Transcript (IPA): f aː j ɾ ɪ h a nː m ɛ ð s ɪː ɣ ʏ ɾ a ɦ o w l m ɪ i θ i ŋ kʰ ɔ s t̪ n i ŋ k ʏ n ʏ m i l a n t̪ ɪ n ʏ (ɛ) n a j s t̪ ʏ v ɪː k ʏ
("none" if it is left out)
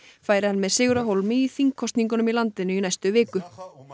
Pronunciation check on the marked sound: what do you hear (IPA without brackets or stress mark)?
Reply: i